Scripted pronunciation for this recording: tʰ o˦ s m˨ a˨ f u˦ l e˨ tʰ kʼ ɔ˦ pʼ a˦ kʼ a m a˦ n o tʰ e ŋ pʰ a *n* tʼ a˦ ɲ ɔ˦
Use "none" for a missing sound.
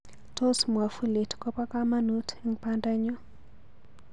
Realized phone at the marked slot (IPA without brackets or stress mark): n